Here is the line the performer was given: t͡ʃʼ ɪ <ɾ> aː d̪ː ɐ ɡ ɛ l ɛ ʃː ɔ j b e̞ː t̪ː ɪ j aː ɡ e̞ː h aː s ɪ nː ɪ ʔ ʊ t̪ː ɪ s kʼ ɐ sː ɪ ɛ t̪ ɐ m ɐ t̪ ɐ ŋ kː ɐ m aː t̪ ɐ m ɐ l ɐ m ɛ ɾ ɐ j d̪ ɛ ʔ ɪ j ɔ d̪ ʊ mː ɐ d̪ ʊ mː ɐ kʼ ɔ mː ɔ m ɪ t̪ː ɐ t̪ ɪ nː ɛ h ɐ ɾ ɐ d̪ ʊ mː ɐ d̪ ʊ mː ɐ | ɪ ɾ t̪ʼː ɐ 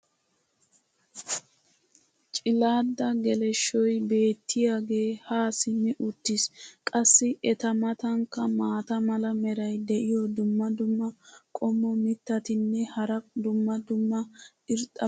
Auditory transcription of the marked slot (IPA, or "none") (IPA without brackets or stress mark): l